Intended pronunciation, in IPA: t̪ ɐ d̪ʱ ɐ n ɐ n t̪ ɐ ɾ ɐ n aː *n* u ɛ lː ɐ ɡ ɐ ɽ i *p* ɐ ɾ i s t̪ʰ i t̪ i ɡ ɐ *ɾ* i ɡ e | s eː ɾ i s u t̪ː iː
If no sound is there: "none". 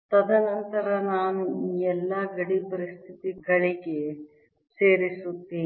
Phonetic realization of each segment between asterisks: n, p, ɭ

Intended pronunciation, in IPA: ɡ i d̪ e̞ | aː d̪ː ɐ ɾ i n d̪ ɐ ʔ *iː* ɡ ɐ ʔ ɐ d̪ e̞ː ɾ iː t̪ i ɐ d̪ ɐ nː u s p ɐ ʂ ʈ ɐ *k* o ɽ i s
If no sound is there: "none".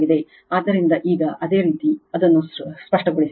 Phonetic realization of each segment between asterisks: iː, ɡ

